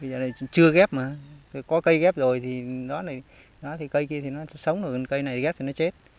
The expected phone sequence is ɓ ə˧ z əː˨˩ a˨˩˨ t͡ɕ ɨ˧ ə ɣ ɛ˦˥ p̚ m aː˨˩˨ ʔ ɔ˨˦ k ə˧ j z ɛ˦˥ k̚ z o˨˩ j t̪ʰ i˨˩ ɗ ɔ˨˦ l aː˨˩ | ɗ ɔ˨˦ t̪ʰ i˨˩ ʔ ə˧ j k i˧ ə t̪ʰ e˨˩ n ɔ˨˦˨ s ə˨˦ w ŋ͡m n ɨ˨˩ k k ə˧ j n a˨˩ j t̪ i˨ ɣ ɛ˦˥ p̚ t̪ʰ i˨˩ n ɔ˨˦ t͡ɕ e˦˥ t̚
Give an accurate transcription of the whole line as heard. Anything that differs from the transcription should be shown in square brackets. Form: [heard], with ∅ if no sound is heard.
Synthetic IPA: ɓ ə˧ z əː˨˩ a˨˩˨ t͡ɕ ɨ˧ ə ɣ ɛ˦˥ p̚ m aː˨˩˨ [k] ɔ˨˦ k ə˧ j [ɣ] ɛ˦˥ [p̚] z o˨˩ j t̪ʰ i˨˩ ɗ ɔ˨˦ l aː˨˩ | ɗ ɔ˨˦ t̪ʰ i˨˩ [k] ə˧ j k i˧ ə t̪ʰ [i˨˩] n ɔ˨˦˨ s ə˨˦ w ŋ͡m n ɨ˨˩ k k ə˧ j n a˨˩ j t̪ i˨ ɣ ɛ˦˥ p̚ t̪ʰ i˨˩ n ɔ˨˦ t͡ɕ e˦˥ t̚